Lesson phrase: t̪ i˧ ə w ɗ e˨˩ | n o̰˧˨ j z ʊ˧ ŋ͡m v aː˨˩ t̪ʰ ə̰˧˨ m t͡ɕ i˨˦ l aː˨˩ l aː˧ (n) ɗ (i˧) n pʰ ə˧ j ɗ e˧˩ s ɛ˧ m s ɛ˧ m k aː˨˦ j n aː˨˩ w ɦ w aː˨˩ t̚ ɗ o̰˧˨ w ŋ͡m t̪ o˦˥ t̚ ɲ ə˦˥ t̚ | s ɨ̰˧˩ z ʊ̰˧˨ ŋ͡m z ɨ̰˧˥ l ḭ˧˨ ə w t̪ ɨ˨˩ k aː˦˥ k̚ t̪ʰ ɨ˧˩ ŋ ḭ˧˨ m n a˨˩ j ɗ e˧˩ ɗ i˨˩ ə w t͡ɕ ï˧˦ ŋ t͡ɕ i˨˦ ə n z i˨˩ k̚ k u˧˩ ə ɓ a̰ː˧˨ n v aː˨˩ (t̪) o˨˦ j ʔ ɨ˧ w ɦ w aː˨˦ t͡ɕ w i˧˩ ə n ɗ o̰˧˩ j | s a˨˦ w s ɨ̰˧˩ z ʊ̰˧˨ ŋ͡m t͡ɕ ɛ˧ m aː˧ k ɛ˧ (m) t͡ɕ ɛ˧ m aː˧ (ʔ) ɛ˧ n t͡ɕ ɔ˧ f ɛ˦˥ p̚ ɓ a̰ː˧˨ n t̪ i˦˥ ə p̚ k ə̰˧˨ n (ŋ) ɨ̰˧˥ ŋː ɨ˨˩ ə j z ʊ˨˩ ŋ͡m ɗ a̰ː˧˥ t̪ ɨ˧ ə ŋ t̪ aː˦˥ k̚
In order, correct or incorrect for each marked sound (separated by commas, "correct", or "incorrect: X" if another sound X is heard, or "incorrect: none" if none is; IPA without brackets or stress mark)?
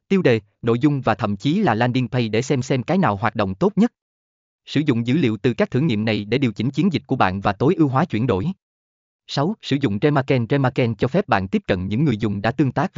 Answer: correct, correct, correct, incorrect: n, incorrect: k, incorrect: ɲ